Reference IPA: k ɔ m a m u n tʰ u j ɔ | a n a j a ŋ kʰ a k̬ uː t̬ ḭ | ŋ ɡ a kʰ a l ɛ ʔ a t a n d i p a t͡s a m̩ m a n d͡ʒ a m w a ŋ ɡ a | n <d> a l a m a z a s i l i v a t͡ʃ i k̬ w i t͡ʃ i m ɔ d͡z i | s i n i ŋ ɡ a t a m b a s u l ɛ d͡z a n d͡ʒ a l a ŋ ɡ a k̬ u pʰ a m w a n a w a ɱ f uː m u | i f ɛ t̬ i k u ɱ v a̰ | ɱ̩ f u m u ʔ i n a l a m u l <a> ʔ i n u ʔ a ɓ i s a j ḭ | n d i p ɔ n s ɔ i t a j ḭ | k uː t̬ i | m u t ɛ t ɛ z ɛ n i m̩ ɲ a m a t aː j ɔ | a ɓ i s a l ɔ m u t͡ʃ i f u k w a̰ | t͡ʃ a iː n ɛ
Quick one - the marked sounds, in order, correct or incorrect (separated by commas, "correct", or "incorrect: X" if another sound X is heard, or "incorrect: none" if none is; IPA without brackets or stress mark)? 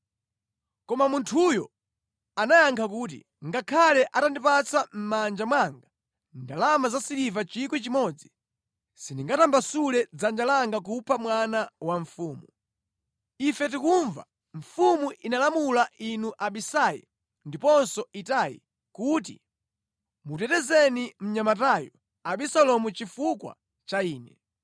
correct, correct